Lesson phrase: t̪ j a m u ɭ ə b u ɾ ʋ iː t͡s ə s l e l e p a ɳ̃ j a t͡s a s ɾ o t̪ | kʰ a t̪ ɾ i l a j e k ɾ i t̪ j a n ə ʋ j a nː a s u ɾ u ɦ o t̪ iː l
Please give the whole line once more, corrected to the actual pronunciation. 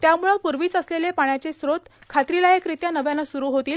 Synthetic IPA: t̪ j a m u ɭ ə p u ɾ ʋ iː t͡s ə s l e l e p a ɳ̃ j a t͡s e s ɾ o t̪ | kʰ a t̪ ɾ i l a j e k ɾ i t̪ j a n ə ʋ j a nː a s u ɾ u ɦ o t̪ iː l